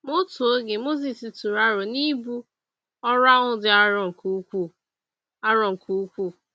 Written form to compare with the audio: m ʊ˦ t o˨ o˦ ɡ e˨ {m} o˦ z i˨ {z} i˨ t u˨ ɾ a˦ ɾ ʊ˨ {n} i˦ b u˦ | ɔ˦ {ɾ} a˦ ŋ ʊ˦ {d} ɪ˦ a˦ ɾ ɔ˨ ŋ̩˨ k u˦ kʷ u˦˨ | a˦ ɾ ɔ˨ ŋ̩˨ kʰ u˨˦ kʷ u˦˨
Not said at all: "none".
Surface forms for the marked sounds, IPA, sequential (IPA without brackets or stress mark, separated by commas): m, s, n, ɾ, d